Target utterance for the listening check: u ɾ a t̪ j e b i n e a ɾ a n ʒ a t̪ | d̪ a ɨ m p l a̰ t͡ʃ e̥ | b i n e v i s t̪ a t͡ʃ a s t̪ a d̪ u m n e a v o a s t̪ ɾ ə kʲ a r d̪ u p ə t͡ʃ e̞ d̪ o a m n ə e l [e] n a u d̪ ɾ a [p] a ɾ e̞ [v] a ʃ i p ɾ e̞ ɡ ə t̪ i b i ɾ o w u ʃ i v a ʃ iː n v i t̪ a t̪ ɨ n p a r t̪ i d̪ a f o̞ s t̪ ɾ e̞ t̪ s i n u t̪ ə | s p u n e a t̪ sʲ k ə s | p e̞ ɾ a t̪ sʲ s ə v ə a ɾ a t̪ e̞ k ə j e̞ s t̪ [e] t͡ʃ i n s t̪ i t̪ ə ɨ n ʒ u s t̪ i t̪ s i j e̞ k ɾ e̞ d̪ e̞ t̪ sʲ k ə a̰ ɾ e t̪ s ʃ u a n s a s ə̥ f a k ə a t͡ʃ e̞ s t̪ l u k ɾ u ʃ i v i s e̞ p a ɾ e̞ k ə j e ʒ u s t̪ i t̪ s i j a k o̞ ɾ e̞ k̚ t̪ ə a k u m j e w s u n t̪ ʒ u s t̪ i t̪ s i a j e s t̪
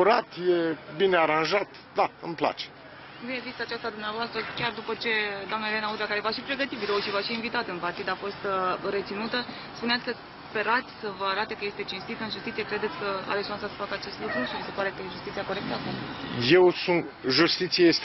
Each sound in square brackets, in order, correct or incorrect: correct, incorrect, correct, correct

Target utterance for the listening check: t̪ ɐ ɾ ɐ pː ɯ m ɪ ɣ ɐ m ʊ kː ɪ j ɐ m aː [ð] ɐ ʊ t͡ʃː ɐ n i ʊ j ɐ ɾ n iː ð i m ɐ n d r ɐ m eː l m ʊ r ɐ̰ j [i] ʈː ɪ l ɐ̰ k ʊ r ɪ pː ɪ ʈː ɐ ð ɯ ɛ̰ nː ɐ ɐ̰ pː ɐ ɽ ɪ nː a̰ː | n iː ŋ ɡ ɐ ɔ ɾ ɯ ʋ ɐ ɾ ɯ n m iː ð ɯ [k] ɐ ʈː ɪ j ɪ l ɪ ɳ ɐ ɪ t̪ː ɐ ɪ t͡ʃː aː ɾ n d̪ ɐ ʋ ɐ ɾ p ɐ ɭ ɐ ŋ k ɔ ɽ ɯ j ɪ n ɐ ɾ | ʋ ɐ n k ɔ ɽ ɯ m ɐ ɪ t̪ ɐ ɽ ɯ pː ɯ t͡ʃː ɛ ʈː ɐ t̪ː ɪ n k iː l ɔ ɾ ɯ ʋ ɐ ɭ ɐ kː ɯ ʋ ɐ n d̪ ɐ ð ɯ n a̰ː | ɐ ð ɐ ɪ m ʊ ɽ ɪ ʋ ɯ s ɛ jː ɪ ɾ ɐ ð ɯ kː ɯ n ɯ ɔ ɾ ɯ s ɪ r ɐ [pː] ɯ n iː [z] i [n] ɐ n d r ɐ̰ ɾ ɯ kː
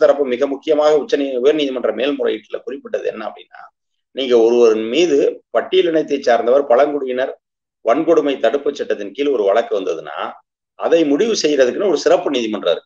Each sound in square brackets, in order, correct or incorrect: incorrect, incorrect, incorrect, correct, incorrect, incorrect

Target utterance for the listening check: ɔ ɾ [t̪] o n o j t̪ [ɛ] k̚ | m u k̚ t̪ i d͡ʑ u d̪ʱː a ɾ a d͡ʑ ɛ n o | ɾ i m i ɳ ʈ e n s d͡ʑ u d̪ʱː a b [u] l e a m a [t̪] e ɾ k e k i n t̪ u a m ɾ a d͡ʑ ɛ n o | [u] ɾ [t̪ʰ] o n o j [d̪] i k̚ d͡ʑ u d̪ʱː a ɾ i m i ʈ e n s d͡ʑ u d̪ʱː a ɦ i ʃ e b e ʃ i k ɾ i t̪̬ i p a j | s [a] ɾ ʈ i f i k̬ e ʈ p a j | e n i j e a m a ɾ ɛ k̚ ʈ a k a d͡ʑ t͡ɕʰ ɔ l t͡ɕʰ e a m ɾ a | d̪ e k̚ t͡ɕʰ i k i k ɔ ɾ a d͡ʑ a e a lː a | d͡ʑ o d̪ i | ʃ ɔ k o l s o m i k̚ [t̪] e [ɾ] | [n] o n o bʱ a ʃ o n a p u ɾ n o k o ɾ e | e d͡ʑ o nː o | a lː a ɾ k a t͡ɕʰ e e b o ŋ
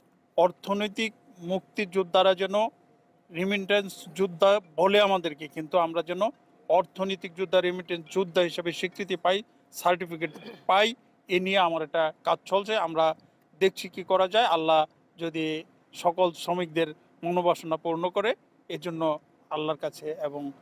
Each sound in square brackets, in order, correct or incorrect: incorrect, incorrect, incorrect, incorrect, incorrect, correct, incorrect, correct, incorrect, correct, incorrect

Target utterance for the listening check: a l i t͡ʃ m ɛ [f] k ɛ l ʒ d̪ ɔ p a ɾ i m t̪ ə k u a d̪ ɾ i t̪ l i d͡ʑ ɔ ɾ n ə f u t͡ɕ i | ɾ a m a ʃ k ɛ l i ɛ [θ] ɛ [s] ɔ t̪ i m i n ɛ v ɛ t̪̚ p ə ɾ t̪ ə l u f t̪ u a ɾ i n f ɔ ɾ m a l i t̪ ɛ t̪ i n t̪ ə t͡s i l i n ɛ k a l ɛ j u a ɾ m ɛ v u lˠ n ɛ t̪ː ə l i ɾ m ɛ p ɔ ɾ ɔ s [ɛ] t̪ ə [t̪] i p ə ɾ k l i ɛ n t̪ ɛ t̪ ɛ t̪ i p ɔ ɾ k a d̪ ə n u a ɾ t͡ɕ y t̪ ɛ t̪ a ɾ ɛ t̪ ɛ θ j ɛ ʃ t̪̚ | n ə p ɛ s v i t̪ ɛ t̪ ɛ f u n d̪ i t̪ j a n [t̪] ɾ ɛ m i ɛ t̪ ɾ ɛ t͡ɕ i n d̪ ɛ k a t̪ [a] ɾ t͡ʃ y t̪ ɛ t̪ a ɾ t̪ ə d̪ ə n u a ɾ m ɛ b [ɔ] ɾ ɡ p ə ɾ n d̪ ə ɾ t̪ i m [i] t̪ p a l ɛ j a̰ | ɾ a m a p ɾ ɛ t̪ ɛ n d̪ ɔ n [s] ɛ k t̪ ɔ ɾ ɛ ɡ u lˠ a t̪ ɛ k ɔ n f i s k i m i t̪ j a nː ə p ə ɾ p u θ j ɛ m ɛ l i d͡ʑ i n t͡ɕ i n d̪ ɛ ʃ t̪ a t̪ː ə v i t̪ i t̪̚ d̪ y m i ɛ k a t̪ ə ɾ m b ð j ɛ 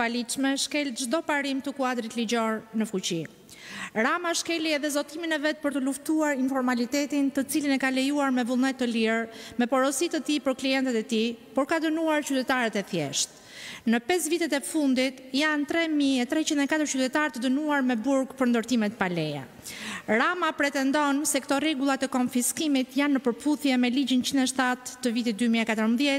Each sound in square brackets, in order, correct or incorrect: incorrect, incorrect, incorrect, incorrect, correct, correct, incorrect, incorrect, incorrect, correct

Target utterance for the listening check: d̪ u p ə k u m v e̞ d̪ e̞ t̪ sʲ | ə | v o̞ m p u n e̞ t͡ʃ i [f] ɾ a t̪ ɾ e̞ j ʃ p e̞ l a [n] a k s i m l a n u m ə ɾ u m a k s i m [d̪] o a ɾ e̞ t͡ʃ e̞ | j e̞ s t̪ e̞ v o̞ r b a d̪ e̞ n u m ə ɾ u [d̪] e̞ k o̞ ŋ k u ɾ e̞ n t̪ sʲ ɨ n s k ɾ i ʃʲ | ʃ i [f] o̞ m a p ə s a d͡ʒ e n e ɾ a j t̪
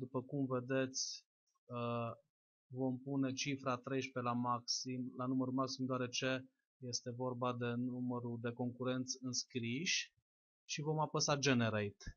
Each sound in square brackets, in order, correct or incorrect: correct, incorrect, correct, correct, incorrect

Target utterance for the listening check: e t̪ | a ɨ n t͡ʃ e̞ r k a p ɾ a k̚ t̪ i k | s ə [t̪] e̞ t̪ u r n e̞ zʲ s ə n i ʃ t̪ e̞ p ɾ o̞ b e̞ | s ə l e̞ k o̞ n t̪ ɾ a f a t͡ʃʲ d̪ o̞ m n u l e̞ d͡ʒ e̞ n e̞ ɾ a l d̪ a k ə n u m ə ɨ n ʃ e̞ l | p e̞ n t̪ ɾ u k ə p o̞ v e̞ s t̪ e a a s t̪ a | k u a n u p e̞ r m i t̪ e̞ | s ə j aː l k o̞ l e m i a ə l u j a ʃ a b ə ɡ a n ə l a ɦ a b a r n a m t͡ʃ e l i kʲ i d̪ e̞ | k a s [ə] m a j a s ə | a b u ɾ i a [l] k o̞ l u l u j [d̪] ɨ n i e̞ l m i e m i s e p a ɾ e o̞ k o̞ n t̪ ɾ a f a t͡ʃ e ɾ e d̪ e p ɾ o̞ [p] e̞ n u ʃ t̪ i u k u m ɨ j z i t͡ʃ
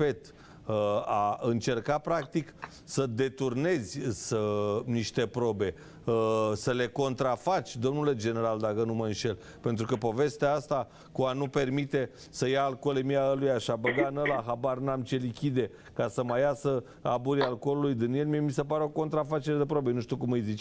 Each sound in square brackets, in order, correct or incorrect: incorrect, correct, correct, correct, incorrect

